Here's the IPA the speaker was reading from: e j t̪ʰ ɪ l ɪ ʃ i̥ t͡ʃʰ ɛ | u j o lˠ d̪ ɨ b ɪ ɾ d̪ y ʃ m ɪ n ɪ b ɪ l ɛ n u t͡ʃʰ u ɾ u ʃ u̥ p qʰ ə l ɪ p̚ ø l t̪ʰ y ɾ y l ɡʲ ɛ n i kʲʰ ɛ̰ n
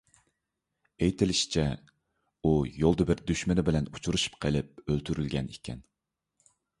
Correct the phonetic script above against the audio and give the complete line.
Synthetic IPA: e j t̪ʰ ɪ l ɪ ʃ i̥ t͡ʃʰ ɛ | u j o lˠ d̪ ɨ b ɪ ɾ d̪ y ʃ m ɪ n ɪ b ɪ l ɛ n u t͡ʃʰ u ɾ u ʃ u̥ p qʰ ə l ɪ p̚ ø l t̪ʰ y ɾ y l ɡʲ ɛ n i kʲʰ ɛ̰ n